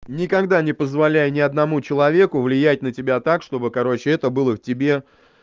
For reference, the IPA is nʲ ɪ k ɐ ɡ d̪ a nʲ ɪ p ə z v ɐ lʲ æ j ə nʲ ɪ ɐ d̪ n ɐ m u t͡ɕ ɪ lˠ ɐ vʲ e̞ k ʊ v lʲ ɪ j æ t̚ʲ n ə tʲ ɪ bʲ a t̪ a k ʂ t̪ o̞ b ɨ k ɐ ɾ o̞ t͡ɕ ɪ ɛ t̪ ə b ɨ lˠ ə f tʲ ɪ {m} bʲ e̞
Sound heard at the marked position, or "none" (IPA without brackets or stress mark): none